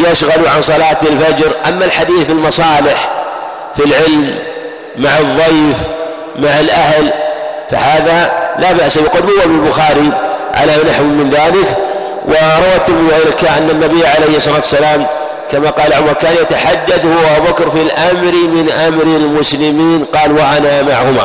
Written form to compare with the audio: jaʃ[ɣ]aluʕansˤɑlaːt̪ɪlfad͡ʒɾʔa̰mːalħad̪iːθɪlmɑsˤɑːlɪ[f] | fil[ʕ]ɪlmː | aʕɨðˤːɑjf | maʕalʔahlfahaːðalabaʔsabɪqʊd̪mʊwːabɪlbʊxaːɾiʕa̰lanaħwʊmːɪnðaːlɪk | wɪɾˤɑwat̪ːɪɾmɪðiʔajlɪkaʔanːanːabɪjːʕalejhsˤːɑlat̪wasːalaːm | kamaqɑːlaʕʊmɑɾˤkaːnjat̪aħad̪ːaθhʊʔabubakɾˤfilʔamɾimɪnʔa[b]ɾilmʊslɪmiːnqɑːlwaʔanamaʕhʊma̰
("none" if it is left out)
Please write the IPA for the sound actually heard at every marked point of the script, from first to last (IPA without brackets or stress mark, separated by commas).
ɣ, ħ, ʕ, m